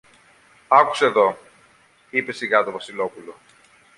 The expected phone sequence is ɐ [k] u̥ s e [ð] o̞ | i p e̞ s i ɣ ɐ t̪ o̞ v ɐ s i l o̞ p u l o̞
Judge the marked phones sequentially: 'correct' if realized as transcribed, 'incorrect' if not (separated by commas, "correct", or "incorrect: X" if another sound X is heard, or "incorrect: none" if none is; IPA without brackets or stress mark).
correct, correct